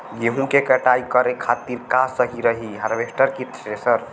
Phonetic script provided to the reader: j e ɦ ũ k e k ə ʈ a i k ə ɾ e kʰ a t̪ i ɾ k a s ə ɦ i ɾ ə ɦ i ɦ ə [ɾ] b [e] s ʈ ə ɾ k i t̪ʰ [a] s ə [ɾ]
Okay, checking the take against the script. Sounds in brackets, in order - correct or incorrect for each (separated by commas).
correct, correct, incorrect, correct